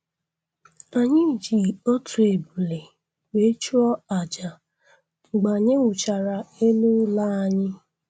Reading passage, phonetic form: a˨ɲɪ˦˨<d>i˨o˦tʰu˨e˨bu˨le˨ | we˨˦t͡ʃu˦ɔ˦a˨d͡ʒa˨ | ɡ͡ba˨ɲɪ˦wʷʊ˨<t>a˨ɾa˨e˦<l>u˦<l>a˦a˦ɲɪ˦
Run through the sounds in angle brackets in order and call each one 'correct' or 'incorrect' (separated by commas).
incorrect, incorrect, correct, correct